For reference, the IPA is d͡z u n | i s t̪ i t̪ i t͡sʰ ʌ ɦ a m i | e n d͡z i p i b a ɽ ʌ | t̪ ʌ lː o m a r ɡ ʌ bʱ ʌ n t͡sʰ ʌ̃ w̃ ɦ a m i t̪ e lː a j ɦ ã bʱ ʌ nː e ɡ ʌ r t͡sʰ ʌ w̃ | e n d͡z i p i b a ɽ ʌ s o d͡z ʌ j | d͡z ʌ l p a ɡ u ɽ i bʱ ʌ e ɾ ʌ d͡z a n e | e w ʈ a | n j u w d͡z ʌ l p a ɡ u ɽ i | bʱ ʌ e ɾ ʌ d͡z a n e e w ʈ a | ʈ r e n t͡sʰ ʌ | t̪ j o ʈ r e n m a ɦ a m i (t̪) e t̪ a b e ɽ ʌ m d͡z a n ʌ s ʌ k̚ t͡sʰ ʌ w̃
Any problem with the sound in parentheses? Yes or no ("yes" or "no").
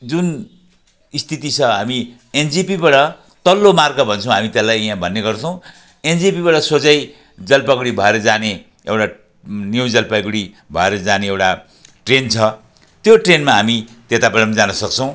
no